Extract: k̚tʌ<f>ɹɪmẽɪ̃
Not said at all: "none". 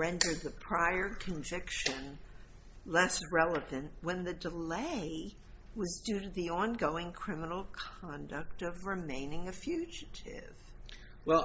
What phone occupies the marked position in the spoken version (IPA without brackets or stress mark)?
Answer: v